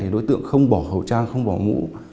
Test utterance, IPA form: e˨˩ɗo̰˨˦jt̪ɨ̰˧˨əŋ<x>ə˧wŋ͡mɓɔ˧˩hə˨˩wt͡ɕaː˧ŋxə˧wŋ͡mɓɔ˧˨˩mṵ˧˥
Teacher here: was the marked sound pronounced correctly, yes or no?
yes